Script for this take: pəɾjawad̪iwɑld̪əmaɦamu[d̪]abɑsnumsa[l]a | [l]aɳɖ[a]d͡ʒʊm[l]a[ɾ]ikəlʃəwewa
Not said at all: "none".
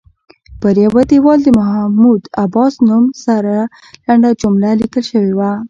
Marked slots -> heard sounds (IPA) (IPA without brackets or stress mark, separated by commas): d̪, ɾ, l, a, l, l